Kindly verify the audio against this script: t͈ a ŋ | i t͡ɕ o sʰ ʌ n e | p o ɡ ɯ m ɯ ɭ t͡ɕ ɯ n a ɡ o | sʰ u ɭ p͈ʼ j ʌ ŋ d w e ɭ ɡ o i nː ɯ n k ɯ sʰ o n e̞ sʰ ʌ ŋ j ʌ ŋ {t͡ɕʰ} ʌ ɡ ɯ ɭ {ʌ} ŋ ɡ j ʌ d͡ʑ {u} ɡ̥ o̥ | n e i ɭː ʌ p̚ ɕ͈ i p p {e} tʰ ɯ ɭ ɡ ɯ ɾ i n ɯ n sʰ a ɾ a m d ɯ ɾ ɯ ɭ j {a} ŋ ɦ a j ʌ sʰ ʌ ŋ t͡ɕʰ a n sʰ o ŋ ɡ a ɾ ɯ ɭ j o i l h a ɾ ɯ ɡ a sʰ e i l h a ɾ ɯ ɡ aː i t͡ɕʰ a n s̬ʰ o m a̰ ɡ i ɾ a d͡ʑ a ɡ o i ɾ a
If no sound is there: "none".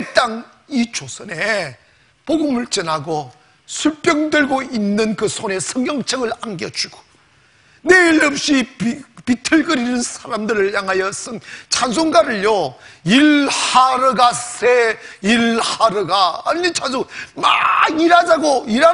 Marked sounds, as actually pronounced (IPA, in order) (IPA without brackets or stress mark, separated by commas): t͡ɕʰ, a, u, i, a